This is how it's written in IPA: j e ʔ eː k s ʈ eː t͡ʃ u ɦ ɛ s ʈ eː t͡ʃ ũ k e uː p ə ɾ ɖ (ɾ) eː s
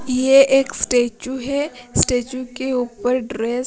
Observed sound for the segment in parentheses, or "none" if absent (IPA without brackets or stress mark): ɾ